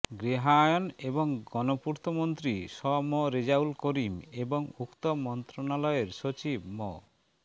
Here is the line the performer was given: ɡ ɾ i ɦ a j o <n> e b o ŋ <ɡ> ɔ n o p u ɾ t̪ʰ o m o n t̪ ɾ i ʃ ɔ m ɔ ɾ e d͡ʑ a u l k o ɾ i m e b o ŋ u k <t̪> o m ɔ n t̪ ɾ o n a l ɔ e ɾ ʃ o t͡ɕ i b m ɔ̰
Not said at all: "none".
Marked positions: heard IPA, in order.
n, ɡ, t̪

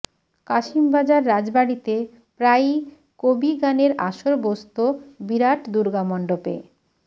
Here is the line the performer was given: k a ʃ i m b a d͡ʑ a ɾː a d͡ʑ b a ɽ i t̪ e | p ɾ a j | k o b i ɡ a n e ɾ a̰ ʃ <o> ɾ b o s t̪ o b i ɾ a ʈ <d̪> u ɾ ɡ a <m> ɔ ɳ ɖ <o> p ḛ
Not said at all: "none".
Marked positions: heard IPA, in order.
o, d̪, m, o

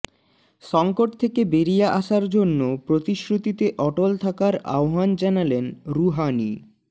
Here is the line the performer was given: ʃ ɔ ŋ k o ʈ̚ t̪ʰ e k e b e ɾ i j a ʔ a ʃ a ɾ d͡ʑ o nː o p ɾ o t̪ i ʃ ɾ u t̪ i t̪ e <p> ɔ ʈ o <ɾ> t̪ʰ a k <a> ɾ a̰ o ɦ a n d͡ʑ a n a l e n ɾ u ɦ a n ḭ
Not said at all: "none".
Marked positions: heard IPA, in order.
ʔ, l, a

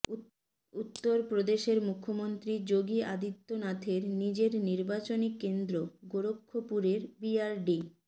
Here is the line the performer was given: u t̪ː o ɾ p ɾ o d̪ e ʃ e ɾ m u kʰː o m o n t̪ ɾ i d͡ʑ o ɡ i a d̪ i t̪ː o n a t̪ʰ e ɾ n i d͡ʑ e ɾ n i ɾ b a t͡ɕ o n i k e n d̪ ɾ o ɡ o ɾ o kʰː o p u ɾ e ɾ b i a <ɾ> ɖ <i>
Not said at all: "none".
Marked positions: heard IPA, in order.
ɾ, i

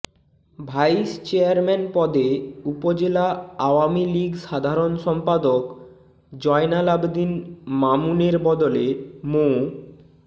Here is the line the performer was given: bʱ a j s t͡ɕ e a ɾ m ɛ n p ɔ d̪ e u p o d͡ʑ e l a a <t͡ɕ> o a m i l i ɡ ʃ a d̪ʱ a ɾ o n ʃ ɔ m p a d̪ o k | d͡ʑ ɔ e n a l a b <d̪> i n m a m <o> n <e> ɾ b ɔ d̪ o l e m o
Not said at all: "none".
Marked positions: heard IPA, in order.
none, d̪, u, e

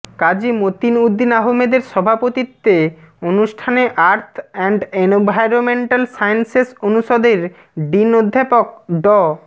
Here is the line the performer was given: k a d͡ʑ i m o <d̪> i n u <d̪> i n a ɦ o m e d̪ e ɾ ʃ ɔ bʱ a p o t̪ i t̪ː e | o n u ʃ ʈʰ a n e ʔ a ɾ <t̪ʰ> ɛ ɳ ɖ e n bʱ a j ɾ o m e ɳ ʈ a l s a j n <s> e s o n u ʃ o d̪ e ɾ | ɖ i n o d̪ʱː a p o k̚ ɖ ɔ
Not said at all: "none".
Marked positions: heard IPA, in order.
t̪, d̪ː, t̪ʰ, s

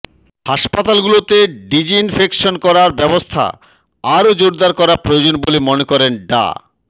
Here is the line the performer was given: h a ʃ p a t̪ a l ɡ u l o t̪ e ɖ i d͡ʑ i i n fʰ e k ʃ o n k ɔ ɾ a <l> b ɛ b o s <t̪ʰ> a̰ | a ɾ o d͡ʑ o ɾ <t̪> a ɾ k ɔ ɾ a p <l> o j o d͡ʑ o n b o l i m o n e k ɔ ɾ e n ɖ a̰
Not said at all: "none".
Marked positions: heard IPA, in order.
ɾ, t̪ʰ, d̪, ɾ

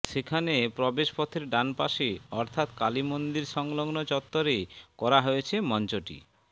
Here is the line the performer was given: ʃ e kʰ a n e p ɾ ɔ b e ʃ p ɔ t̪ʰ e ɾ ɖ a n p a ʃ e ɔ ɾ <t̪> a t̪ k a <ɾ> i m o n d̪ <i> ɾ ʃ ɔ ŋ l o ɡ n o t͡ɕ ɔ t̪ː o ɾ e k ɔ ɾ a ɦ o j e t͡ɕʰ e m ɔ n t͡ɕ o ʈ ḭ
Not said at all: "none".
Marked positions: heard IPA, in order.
t̪ʰ, l, i

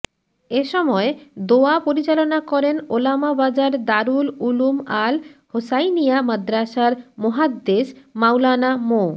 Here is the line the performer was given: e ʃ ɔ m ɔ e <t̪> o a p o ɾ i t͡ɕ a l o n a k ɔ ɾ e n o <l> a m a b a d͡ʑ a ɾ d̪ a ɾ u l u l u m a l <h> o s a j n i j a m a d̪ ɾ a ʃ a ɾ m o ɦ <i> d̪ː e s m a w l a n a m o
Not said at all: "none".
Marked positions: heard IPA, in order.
d̪, l, h, a

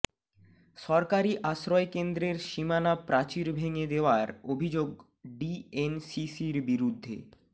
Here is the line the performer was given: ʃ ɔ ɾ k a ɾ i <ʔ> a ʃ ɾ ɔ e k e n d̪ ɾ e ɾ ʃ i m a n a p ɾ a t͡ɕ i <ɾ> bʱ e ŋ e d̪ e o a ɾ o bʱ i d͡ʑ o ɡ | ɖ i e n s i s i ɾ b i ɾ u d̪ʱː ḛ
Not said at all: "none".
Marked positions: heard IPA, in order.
ʔ, ɾ

